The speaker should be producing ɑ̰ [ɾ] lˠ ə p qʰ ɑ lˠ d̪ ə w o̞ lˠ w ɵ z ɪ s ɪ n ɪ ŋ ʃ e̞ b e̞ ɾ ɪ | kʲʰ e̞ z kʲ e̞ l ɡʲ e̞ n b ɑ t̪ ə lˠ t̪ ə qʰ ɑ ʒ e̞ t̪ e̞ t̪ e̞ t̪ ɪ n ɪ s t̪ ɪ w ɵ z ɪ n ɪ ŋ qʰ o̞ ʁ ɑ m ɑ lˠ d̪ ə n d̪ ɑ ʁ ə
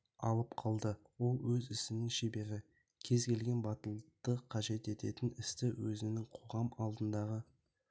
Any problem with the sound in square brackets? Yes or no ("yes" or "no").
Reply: yes